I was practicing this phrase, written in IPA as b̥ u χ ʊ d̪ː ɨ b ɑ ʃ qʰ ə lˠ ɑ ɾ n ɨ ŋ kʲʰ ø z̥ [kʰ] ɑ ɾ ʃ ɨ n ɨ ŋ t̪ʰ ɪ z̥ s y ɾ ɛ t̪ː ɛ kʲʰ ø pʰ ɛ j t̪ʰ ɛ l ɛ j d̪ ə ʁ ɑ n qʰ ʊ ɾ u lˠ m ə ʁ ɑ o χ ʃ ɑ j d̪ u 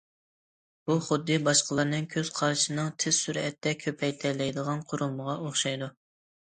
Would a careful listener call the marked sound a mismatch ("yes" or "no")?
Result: yes